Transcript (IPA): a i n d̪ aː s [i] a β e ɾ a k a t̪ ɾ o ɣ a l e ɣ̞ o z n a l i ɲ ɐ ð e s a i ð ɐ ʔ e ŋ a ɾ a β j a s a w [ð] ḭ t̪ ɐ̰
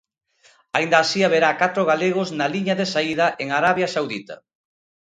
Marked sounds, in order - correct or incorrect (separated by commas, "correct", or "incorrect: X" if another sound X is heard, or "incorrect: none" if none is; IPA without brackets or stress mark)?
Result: correct, correct